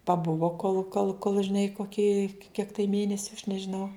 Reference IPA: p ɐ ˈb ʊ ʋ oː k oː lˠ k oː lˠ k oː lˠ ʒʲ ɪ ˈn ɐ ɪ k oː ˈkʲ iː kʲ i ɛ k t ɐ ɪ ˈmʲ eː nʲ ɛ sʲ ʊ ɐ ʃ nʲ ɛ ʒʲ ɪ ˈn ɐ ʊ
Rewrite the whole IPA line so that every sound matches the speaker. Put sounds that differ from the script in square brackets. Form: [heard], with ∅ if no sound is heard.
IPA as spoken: p ɐ ˈb ʊ ʋ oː k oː lˠ k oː lˠ k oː lˠ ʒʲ ɪ ˈn ɐ ɪ k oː ˈkʲ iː kʲ i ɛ k t ɐ ɪ ˈmʲ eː nʲ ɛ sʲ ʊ ɐ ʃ nʲ ɛ ʒʲ ɪ ˈn ɐ ʊ